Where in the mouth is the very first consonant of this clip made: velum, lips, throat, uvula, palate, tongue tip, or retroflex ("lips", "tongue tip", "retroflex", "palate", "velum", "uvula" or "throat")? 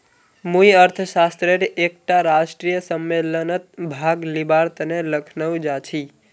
lips